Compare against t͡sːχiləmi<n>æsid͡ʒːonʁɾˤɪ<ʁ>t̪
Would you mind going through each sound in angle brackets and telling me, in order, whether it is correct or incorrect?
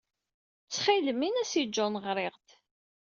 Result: correct, correct

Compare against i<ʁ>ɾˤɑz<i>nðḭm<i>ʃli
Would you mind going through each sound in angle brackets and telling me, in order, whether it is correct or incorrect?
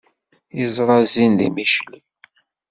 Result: incorrect: z, correct, correct

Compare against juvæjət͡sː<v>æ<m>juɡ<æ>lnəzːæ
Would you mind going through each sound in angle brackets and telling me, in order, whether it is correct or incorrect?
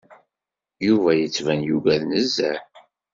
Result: correct, incorrect: n, correct

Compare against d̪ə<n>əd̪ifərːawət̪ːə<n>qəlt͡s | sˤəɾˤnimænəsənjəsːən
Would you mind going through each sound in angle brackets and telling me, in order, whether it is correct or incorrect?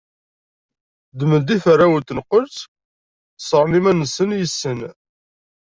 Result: incorrect: m, correct

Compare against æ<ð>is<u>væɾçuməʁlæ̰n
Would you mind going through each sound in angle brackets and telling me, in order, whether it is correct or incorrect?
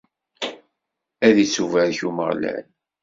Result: correct, correct

